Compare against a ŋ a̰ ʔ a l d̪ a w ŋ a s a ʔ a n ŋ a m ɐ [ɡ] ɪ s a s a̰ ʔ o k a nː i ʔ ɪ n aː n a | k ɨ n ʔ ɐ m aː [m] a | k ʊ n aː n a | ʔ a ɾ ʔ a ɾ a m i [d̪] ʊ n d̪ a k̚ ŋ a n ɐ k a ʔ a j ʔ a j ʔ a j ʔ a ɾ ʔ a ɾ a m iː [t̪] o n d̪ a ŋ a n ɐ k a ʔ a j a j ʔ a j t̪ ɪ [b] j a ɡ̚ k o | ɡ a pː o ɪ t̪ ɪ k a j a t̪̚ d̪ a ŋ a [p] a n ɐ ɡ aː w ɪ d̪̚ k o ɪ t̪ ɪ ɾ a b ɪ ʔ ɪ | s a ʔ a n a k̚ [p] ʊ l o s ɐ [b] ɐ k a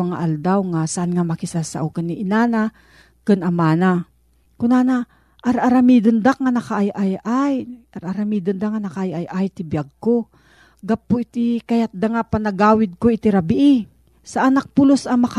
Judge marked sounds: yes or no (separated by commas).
no, no, yes, no, yes, yes, yes, no